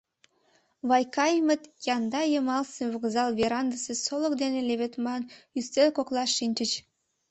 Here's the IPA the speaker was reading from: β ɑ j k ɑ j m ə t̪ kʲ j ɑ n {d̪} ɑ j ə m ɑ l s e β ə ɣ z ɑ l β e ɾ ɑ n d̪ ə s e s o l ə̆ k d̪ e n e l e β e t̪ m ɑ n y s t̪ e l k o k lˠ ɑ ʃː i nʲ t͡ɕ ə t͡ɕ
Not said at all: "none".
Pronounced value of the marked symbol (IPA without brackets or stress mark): d̪